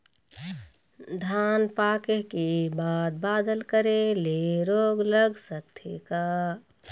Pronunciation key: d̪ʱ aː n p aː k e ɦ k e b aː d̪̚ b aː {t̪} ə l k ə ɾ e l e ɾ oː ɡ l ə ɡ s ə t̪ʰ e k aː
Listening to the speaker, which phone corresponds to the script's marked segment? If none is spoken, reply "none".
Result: d̪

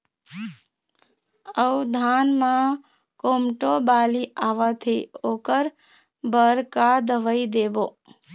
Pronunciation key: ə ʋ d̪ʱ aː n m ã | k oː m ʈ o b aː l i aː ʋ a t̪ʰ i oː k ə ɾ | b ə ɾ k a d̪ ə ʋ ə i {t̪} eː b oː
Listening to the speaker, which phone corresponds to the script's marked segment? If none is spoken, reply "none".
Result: d̪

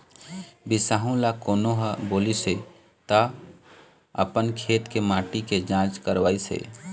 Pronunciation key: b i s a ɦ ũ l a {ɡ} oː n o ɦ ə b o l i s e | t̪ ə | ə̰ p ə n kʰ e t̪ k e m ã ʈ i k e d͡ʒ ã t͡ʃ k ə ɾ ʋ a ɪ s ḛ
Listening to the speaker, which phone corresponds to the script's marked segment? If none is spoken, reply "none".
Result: k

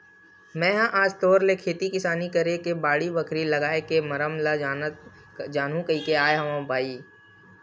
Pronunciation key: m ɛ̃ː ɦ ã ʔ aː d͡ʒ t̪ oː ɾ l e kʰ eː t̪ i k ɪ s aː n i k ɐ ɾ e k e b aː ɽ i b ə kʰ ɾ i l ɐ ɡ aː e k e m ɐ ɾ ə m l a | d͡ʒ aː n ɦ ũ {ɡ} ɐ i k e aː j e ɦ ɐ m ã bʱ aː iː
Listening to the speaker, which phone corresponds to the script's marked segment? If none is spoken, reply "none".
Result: k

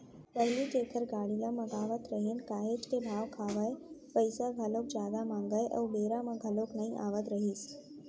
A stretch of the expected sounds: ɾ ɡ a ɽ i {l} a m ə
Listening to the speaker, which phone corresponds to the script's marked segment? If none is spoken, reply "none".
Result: l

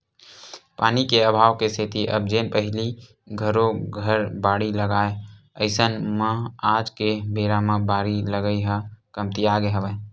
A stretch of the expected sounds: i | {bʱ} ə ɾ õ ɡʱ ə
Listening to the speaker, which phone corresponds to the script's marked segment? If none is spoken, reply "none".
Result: ɡʱ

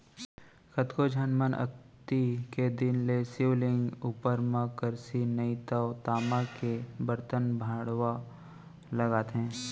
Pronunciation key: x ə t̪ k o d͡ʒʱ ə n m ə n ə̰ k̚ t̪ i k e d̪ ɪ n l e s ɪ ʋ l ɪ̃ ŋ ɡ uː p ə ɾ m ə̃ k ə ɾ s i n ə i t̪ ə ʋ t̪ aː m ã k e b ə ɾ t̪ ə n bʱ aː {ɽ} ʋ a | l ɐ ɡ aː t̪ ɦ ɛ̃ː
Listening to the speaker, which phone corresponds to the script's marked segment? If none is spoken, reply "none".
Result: ɽ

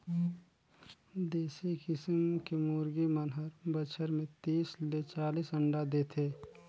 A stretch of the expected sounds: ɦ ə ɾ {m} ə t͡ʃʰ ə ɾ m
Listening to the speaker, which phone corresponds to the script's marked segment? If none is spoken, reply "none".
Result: b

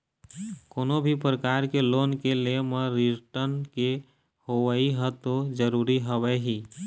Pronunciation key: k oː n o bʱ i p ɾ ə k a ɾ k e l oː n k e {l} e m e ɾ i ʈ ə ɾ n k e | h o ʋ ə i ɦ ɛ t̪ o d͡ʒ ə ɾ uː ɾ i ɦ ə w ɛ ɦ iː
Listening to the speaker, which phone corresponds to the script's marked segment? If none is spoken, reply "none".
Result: l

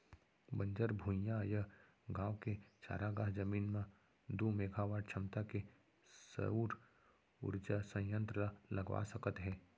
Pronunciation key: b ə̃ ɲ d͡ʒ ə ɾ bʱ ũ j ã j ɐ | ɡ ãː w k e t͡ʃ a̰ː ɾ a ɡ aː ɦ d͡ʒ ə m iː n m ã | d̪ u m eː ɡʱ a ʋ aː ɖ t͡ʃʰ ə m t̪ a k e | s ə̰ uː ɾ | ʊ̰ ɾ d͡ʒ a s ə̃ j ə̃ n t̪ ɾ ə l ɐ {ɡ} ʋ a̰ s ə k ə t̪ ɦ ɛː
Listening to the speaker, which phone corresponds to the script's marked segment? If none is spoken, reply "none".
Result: ɡ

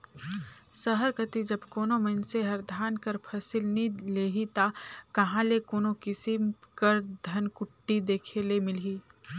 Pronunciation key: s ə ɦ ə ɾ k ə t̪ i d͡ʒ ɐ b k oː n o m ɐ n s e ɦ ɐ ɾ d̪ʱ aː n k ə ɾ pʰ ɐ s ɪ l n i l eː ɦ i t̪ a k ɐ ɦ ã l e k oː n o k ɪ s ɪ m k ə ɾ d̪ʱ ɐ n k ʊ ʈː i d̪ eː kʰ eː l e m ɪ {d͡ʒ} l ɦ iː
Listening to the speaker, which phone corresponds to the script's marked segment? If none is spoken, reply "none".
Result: none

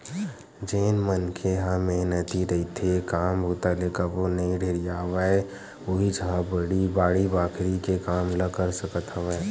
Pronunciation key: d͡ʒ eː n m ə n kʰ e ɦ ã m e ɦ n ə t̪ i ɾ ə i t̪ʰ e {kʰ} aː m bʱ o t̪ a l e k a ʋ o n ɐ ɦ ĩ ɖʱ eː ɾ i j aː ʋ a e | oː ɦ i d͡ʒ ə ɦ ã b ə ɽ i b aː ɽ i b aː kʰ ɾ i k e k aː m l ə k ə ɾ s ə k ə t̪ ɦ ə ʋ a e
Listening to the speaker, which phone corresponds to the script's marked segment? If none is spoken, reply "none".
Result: k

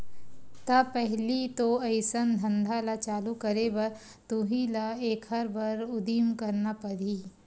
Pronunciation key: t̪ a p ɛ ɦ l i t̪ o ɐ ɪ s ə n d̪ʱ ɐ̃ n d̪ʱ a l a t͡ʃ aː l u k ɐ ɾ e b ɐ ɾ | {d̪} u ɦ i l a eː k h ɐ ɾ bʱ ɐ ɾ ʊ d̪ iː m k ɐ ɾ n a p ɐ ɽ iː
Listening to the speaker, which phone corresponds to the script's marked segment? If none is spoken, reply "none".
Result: t̪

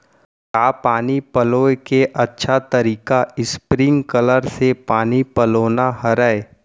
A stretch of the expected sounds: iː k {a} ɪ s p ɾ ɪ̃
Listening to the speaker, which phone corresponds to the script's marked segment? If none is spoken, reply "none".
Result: a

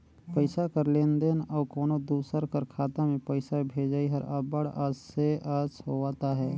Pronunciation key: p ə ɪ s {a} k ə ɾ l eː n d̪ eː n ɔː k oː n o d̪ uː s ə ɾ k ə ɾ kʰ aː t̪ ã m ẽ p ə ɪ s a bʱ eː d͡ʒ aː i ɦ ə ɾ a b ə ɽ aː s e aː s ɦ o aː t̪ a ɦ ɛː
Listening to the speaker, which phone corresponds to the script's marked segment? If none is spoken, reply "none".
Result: a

